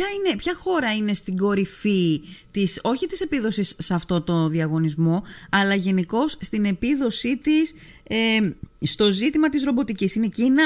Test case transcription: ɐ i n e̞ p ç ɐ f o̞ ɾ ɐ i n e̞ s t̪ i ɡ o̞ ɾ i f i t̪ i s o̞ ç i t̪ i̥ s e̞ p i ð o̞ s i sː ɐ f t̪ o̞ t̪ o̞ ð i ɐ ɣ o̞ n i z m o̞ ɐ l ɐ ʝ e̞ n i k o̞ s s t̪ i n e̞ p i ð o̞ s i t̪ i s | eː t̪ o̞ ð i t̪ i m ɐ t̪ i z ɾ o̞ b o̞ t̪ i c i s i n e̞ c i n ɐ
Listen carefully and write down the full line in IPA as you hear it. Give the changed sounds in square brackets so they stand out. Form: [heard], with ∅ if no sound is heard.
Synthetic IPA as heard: ɐ i n e̞ p ç ɐ [x] o̞ ɾ ɐ i n e̞ s t̪ i ɡ o̞ ɾ i f i t̪ i s o̞ ç i t̪ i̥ s e̞ p i ð o̞ s i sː ɐ f t̪ o̞ t̪ o̞ ð i ɐ ɣ o̞ n i z m o̞ ɐ l ɐ ʝ e̞ n i k o̞ s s t̪ i n e̞ p i ð o̞ s i t̪ i s | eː t̪ o̞ [z] i t̪ i m ɐ t̪ i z ɾ o̞ b o̞ t̪ i c i s i n e̞ c i n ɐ